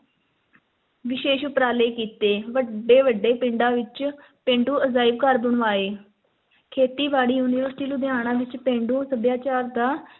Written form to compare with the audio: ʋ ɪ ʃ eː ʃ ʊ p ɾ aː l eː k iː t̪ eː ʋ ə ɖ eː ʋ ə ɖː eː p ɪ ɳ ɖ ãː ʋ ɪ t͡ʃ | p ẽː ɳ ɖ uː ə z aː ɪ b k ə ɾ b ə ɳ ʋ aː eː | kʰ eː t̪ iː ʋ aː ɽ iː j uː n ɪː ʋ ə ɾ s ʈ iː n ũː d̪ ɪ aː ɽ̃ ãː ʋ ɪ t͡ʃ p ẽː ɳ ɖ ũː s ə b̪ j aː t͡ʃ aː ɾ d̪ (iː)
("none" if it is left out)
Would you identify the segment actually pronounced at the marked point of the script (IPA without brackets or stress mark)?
aː